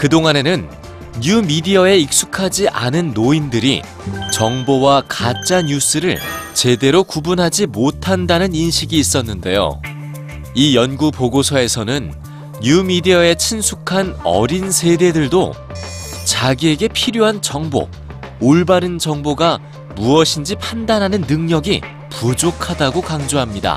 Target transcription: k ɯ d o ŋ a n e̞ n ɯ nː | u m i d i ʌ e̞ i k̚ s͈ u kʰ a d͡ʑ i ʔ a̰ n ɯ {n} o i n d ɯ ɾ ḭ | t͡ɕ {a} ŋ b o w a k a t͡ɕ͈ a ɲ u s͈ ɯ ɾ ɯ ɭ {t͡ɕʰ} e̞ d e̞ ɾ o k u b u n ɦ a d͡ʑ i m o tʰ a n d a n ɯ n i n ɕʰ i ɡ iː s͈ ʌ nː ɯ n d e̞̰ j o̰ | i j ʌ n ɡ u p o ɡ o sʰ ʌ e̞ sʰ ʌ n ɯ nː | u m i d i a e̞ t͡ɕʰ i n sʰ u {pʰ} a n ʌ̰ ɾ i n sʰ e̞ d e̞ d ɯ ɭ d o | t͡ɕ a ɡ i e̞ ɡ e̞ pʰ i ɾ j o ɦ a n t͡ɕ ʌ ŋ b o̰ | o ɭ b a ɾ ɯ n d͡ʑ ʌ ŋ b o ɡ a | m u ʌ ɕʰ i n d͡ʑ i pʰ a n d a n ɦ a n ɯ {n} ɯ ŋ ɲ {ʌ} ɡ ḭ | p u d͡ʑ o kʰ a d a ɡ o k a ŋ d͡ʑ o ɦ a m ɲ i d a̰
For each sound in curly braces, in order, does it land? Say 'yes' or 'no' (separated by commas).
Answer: no, no, no, no, no, yes